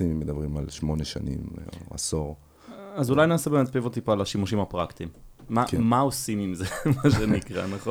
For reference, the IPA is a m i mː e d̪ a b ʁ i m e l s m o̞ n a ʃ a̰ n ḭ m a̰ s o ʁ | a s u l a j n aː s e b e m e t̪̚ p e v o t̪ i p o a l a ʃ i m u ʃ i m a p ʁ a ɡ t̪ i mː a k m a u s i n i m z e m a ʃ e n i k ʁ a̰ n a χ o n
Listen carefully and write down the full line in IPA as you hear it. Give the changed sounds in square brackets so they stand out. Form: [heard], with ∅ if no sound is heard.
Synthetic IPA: [i] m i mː e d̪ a b ʁ i m [a] l [ʃ] m o̞ n [e] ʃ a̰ n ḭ m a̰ s o ʁ | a [z] u l a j n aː s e b e m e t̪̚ p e v o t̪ i p o a l a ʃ i m u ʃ i m a p ʁ a [k] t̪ i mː a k m a [o] s i [m] i m z e m a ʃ e n i k ʁ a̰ n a χ o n